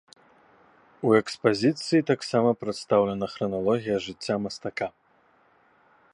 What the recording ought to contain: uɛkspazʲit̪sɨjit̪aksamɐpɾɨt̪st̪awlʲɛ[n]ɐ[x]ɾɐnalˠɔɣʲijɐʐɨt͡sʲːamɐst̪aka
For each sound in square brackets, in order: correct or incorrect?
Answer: correct, correct

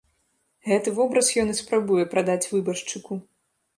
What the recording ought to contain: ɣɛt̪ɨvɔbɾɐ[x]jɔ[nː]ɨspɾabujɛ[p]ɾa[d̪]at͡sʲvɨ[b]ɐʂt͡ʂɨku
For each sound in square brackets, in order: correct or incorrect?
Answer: incorrect, incorrect, correct, correct, correct

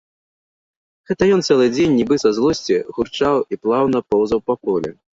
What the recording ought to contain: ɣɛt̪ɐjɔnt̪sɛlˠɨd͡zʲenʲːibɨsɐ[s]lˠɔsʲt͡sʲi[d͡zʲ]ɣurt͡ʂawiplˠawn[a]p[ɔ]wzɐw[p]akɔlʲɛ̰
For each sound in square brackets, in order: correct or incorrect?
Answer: incorrect, incorrect, incorrect, correct, correct

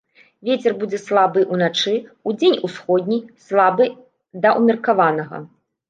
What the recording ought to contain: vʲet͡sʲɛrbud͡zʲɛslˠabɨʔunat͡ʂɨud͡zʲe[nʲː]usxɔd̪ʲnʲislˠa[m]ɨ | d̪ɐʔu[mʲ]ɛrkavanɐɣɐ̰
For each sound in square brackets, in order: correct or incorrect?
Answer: incorrect, incorrect, correct

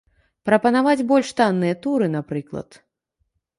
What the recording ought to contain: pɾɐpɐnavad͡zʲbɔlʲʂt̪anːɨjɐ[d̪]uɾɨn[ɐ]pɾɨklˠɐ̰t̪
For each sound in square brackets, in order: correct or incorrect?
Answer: incorrect, incorrect

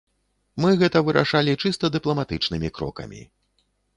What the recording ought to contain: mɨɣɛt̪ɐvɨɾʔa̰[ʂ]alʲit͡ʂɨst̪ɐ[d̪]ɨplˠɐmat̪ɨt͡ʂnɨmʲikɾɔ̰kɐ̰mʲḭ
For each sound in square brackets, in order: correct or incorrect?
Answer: correct, correct

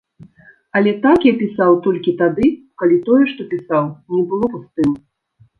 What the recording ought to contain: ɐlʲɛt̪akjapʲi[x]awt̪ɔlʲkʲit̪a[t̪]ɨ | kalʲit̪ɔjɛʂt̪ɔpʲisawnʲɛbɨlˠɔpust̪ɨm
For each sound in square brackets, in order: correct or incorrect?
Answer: incorrect, incorrect

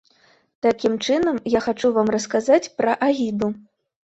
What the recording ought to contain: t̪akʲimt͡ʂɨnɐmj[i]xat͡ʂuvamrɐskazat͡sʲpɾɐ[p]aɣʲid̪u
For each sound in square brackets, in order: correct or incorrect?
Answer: incorrect, incorrect

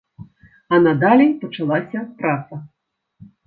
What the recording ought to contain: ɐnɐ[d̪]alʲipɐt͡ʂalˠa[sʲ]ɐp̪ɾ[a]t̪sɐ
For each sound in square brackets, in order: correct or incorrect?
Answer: correct, correct, correct

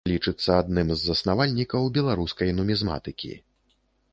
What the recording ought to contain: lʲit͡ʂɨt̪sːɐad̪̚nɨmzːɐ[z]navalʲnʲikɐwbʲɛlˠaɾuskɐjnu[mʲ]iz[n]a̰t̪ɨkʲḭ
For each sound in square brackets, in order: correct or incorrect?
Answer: incorrect, correct, incorrect

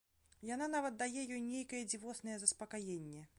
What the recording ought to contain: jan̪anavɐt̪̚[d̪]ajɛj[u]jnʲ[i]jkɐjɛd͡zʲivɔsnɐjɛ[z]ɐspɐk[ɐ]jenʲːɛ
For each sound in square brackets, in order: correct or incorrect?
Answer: correct, incorrect, incorrect, correct, incorrect

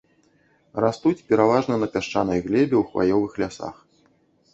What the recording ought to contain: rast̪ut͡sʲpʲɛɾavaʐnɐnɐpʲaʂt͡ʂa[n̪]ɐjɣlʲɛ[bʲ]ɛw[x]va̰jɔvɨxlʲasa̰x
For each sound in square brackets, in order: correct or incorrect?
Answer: correct, correct, correct

